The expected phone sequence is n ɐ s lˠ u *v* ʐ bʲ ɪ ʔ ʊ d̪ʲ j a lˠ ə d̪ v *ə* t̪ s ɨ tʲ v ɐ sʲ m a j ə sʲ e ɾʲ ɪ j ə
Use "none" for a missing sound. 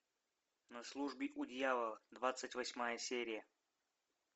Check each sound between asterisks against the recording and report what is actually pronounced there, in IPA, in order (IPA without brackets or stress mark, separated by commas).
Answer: none, a